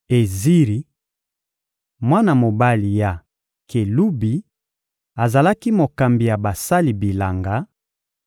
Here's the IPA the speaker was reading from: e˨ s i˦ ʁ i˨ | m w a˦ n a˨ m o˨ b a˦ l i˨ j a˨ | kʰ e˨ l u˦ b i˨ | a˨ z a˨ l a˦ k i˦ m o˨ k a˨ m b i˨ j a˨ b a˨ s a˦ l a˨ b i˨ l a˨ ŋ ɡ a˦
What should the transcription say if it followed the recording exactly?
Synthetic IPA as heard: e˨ z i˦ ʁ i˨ | m w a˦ n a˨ m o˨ b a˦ l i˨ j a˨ | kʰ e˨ l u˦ b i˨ | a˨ z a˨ l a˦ k i˦ m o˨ k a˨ m b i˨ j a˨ b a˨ s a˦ l i˨ b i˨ l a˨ ŋ ɡ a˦

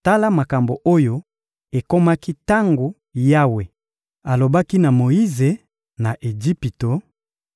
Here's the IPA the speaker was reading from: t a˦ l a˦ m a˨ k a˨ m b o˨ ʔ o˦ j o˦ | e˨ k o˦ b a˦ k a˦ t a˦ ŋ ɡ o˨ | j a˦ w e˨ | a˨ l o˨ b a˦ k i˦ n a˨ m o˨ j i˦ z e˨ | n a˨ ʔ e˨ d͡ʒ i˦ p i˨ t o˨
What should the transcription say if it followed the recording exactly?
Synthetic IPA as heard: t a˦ l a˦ m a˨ k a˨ m b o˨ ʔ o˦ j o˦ | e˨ k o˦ m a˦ k i˦ t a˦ ŋ ɡ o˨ | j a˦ w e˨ | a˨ l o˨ b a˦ k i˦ n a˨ m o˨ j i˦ z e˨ | n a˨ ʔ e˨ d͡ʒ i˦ p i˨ t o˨

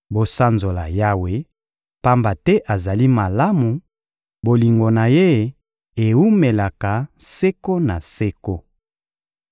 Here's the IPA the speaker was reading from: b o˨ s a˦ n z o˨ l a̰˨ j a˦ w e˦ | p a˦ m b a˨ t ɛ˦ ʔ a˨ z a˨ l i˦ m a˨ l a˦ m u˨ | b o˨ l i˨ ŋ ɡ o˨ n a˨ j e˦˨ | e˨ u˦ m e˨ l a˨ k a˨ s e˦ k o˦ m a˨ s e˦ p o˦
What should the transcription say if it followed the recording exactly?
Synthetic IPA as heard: b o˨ s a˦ n z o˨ l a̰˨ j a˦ w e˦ | p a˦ m b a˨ t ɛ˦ ʔ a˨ z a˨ l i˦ m a˨ l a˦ m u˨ | b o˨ l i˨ ŋ ɡ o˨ n a˨ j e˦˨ | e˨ u˦ m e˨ l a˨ k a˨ s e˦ k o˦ n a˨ s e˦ k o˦

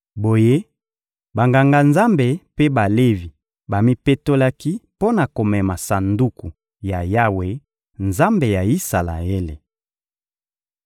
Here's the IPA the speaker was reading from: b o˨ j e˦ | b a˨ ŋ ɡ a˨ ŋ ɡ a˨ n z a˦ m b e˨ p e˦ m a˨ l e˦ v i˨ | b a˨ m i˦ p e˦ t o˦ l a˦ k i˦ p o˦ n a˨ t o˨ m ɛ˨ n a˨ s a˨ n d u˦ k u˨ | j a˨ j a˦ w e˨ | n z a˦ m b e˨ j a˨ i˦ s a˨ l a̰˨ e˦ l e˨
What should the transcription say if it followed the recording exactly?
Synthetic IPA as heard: b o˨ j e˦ | b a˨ ŋ ɡ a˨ ŋ ɡ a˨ n z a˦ m b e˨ p e˦ b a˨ l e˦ v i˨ | b a˨ m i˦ p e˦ t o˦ l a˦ k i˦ p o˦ n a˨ k o˨ m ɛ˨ m a˨ s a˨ n d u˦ k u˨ | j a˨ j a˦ w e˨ | n z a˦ m b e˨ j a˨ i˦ s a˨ l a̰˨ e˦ l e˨

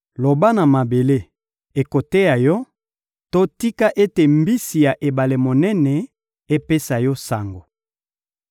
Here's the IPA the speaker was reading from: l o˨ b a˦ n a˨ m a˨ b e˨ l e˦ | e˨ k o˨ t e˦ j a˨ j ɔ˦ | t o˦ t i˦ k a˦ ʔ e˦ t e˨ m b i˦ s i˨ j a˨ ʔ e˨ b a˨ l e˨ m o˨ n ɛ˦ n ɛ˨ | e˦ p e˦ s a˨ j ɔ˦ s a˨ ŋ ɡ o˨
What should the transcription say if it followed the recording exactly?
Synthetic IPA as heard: l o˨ b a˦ n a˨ m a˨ b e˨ l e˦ | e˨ k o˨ t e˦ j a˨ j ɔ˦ | t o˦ t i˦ k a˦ ʔ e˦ t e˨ m b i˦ s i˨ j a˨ ʔ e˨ b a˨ l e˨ m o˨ n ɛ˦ n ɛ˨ | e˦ p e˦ s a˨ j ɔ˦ s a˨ ŋ ɡ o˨

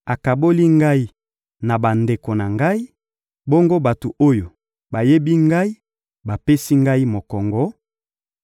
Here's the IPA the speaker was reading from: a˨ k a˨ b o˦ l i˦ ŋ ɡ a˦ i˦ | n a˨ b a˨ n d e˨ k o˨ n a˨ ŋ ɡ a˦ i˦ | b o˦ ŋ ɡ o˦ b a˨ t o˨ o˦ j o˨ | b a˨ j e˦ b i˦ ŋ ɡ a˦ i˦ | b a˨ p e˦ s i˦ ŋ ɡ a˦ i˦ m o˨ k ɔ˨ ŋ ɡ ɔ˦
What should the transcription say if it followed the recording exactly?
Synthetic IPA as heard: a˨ k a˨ b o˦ l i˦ ŋ ɡ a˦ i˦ | n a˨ b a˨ n d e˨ k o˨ n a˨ ŋ ɡ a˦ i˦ | b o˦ ŋ ɡ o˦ b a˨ t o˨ o˦ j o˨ | b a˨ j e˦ b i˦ ŋ ɡ a˦ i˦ | b a˨ p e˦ s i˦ ŋ ɡ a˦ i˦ m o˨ k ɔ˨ ŋ ɡ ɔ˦

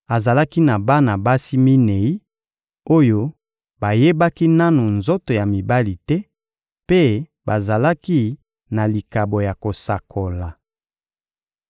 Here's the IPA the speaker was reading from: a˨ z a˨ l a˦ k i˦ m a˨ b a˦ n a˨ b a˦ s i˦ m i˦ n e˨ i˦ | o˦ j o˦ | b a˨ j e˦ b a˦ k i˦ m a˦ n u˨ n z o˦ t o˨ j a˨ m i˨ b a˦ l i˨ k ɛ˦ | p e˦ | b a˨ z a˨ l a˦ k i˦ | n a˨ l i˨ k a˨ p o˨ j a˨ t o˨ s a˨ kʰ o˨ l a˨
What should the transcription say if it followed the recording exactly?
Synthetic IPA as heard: a˨ z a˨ l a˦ k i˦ n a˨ b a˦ n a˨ b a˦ s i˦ m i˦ n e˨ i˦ | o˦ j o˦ | b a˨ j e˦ b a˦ k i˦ n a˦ n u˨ n z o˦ t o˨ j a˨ m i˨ b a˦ l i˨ t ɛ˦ | p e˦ | b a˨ z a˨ l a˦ k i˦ | n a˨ l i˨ k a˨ b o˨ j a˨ k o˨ s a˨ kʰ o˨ l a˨

